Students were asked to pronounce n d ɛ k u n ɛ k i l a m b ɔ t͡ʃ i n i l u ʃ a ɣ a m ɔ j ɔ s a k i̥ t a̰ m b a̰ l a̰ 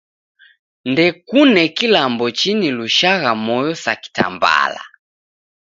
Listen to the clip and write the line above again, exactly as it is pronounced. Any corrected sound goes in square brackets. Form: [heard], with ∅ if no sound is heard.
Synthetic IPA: n d ɛ k u n ɛ k i l a m b ɔ t͡ʃ i n i l u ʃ a ɣ a m ɔ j ɔ s a k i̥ t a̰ m b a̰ l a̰

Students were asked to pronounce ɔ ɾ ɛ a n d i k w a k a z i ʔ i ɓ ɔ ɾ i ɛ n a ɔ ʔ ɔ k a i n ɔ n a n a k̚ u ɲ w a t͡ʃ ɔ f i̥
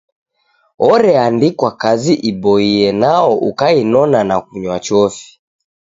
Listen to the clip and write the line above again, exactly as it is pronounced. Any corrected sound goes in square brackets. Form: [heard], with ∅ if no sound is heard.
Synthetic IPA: ɔ ɾ ɛ a n d i k w a k a z i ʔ i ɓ ɔ [∅] i ɛ n a ɔ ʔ [u] k a i n ɔ n a n a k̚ u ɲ w a t͡ʃ ɔ f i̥

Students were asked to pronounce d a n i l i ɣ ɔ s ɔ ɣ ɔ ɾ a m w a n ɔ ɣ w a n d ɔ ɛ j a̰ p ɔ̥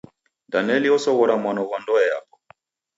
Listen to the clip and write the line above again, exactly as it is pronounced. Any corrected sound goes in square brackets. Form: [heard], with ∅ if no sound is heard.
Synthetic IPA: d a n [ɛ] l i [∅] ɔ s ɔ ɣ ɔ ɾ a m w a n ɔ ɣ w a n d ɔ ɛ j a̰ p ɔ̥

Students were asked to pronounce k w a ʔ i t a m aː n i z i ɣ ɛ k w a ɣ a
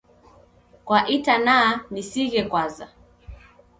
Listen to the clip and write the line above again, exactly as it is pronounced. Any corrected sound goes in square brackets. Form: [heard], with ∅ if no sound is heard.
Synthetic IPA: k w a ʔ i t a [n] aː n i [s] i ɣ ɛ k w a [z] a

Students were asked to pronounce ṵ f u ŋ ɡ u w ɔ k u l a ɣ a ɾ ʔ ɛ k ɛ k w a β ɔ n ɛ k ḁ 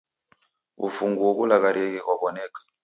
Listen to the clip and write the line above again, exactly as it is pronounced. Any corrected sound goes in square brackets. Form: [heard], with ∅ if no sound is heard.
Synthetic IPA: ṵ f u ŋ ɡ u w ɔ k u l a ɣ a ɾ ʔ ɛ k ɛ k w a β ɔ n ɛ k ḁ

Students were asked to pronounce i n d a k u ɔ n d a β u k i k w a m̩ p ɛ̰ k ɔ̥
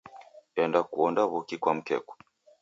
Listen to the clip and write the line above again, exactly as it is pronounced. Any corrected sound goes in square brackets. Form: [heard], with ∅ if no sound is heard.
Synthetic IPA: [ɛ] n d a k u ɔ n d a β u k i k w a m̩ [k] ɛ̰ k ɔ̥

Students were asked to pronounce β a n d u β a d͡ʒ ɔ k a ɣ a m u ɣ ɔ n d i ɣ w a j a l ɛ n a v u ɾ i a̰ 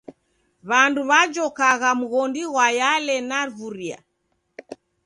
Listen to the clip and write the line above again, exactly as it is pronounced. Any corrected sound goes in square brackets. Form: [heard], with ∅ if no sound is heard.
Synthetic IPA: β a n d u β a d͡ʒ ɔ k a ɣ a m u ɣ ɔ n d i ɣ w a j a l ɛ n a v u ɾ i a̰

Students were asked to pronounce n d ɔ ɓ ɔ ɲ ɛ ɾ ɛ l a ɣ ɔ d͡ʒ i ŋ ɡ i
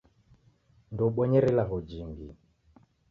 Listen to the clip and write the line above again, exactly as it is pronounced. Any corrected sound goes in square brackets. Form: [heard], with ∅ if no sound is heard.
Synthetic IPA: n d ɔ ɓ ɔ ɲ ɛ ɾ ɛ l a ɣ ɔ d͡ʒ i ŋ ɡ i

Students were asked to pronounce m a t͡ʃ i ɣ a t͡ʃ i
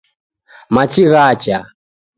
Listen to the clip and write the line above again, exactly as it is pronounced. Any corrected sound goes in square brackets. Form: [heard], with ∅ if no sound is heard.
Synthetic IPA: m a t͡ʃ i ɣ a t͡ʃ [a]

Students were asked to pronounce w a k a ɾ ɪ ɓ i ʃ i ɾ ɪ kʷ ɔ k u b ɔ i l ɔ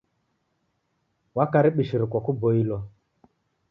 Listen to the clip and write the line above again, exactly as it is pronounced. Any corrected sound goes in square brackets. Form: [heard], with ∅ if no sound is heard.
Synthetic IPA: w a k a ɾ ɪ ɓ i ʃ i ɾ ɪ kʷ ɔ k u b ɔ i l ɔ

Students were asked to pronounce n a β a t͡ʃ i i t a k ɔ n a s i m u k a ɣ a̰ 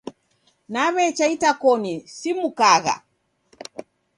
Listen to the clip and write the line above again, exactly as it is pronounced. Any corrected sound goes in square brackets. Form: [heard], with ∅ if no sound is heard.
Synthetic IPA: n a β [ɛ] t͡ʃ [a] i t a k ɔ n [i] s i m u k a ɣ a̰

